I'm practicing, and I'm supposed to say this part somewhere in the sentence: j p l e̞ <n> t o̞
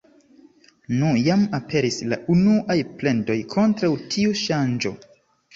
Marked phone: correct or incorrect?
correct